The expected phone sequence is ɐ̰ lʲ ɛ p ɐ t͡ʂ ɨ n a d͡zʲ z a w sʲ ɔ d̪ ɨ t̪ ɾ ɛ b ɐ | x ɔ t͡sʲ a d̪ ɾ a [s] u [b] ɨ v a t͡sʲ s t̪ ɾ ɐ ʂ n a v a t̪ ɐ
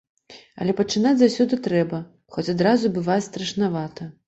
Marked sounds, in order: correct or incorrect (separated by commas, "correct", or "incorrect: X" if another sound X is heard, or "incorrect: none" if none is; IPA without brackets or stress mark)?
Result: incorrect: z, correct